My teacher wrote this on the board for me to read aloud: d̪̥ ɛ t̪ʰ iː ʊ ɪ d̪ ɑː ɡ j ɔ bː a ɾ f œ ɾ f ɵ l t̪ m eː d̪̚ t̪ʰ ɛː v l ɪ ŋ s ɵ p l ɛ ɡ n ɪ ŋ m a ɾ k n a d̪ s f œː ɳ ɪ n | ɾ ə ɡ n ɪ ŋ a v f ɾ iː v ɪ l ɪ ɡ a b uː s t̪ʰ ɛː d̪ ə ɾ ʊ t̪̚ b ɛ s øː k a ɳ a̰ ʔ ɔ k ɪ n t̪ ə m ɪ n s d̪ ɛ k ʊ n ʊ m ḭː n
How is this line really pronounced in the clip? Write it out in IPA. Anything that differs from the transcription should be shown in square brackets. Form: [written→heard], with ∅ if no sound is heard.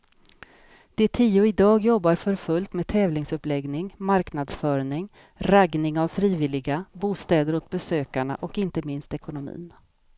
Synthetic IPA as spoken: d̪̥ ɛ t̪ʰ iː ʊ ɪ d̪ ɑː ɡ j ɔ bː a ɾ f œ ɾ f ɵ l t̪ m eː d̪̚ t̪ʰ ɛː v l ɪ ŋ s ɵ p l ɛ ɡ n ɪ ŋ m a ɾ k n a d̪ s f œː ɳ ɪ [n→ŋ] | ɾ [ə→a] ɡ n ɪ ŋ a v f ɾ iː v ɪ l ɪ ɡ a b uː s [t̪ʰ→t̪] ɛː d̪ ə ɾ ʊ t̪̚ b ɛ s øː k a ɳ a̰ ʔ ɔ k ɪ n t̪ ə m ɪ n s [d̪→t̪] ɛ k ʊ n ʊ m ḭː n

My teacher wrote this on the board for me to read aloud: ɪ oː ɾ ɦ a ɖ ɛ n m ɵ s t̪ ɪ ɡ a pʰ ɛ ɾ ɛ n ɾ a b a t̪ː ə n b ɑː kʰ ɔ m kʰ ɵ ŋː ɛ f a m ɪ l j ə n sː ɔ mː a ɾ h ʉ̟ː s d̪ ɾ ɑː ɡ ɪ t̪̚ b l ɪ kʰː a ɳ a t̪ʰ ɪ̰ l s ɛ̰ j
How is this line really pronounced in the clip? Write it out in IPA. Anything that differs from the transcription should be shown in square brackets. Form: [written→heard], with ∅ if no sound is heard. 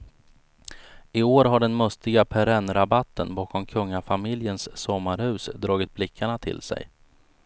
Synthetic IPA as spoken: ɪ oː ɾ ɦ a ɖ ɛ n m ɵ s t̪ ɪ ɡ a pʰ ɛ ɾ ɛ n ɾ a b a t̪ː ə n b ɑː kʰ ɔ m kʰ ɵ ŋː [ɛ→a] f a m ɪ l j ə n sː ɔ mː a ɾ h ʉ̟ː s d̪ ɾ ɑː ɡ ɪ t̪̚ b l ɪ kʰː a ɳ a t̪ʰ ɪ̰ l s ɛ̰ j

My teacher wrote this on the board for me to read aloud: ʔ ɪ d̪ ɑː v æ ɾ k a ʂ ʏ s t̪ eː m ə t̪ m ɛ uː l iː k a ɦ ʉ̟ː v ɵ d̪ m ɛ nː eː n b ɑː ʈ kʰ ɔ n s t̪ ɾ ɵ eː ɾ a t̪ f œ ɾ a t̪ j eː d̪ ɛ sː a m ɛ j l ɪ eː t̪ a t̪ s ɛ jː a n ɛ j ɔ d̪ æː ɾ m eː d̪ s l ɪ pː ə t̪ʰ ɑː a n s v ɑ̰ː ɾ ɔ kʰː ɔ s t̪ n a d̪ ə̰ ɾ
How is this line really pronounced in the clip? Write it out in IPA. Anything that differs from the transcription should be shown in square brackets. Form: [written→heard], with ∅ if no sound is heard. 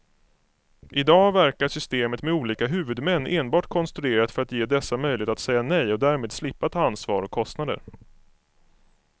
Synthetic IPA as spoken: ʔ ɪ d̪ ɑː v æ ɾ k a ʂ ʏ s t̪ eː m ə t̪ m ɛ uː l iː k a ɦ ʉ̟ː v ɵ d̪ m ɛ nː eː n b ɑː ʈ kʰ ɔ n s t̪ ɾ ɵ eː ɾ a t̪ f œ ɾ a t̪ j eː d̪ ɛ sː a m [ɛ→œ] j l ɪ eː t̪ a t̪ s ɛ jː a n ɛ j ɔ d̪ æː ɾ m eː d̪ s l ɪ pː [ə→a] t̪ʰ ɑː a n s v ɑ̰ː ɾ ɔ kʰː ɔ s t̪ n a d̪ ə̰ ɾ

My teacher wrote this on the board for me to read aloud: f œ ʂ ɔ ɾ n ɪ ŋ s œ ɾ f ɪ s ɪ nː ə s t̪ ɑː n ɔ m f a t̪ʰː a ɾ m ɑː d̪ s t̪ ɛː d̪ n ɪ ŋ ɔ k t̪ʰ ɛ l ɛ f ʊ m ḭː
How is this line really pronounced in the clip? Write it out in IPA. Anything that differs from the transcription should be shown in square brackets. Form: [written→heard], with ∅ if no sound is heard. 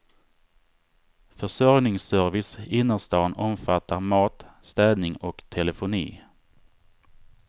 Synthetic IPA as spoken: f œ ʂ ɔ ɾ n ɪ ŋ s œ ɾ [f→v] ɪ s ɪ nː ə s t̪ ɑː n ɔ m f a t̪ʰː a ɾ m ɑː [d̪→t̪] s t̪ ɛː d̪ n ɪ ŋ ɔ k t̪ʰ ɛ l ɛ f ʊ [m→n] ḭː

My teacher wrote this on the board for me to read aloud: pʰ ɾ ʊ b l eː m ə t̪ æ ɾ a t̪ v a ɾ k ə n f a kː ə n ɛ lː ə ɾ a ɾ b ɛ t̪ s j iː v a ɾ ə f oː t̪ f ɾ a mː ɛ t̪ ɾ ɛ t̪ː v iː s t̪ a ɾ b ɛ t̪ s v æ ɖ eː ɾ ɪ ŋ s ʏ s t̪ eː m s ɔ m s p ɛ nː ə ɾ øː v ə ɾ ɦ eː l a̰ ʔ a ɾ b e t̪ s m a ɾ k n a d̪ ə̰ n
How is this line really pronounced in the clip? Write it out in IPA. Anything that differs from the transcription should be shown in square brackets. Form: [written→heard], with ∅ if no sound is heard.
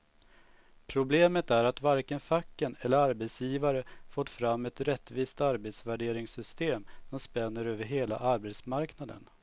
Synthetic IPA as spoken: pʰ ɾ ʊ b l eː m ə t̪ æ ɾ a t̪ v a ɾ k ə n f a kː ə n ɛ lː ə ɾ a ɾ b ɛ t̪ s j iː v a ɾ ə f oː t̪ f ɾ a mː ɛ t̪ ɾ ɛ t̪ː v iː s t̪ a ɾ b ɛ t̪ s v æ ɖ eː ɾ ɪ ŋ s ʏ s t̪ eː m s ɔ m s p ɛ nː ə ɾ øː v ə ɾ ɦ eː l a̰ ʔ a ɾ b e t̪ s m a ɾ k n a d̪ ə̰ n

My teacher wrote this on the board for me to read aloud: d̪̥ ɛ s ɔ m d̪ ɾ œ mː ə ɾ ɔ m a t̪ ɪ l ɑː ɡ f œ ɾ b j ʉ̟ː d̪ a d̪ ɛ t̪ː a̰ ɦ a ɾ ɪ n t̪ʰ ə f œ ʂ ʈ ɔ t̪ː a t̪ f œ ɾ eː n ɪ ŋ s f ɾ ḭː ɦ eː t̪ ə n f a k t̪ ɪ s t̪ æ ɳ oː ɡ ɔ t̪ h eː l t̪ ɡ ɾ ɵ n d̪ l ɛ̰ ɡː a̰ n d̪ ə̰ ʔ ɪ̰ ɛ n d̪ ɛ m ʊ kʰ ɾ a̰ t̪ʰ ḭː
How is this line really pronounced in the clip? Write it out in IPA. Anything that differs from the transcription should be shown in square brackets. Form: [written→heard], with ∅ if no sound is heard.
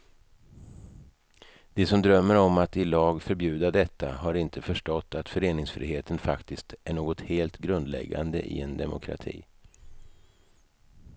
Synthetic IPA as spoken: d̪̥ ɛ s ɔ m d̪ ɾ œ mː ə ɾ ɔ m a t̪ ɪ l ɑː ɡ f œ ɾ b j ʉ̟ː d̪ a d̪ ɛ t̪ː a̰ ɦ a ɾ ɪ n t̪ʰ ə f œ ʂ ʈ ɔ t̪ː a t̪ f œ ɾ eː n ɪ ŋ s f ɾ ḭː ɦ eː t̪ ə n f a k t̪ ɪ s t̪ æ ɳ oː ɡ ɔ t̪ h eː l t̪ ɡ ɾ ɵ n d̪ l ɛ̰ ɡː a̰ n d̪ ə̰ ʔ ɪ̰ ɛ n d̪ ɛ m ʊ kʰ ɾ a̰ t̪ʰ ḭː

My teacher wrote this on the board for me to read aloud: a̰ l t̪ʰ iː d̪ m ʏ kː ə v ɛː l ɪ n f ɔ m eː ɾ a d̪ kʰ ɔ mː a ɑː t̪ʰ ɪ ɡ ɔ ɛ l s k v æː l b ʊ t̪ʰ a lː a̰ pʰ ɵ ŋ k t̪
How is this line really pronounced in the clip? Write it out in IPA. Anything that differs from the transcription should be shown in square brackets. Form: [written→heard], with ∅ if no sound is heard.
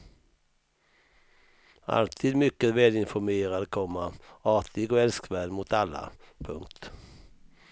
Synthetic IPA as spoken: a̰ l t̪ʰ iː d̪ m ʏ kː ə v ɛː l ɪ n f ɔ m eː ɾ a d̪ kʰ ɔ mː a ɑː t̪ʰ ɪ ɡ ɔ ɛ l s k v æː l [b→m] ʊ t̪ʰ a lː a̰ pʰ ɵ ŋ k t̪

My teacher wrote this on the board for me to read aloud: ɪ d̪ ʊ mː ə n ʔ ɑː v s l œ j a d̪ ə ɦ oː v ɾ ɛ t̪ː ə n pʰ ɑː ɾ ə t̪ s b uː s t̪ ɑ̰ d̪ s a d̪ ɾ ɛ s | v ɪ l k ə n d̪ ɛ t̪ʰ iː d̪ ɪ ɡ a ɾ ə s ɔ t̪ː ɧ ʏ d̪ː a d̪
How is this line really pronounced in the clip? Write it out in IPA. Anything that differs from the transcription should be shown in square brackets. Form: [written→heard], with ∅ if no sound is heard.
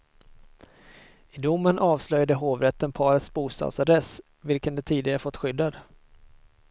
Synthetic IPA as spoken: ɪ d̪ ʊ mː ə n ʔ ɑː v s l œ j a d̪ ə ɦ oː v ɾ ɛ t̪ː ə n pʰ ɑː ɾ ə t̪ s b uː s t̪ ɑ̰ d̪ s a d̪ ɾ ɛ s | v ɪ l k ə n d̪ ɛ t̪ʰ iː d̪ ɪ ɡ a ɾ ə [s→f] ɔ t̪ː ɧ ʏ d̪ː a d̪

